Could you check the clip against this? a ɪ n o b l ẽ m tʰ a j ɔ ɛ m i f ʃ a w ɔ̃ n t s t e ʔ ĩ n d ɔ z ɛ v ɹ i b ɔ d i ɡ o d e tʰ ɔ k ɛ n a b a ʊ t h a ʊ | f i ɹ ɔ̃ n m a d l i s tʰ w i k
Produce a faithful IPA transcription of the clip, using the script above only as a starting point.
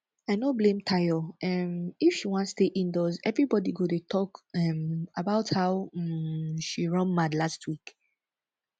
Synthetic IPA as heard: a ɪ n o b l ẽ m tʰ a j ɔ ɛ m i f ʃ i w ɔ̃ n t s t e ʔ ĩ n d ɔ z ɛ v ɹ i b ɔ d i ɡ o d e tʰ ɔ k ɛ m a b a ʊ t h a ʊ | ʃ i ɹ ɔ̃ n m a d l a s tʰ w i k